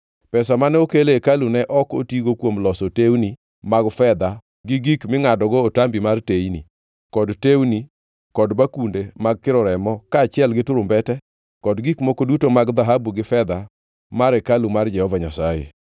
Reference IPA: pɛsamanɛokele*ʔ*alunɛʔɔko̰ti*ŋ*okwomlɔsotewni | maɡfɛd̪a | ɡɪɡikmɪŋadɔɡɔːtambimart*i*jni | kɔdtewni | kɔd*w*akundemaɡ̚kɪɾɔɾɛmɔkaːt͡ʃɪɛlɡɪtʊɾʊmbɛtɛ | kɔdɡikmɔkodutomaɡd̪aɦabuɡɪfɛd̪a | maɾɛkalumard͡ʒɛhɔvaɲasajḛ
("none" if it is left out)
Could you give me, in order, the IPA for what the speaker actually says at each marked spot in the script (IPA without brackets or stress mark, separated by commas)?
k, ɡ, e, b